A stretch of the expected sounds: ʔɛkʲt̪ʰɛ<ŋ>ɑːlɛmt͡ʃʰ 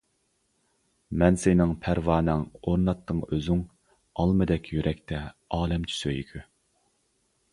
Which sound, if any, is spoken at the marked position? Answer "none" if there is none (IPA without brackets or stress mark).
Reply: none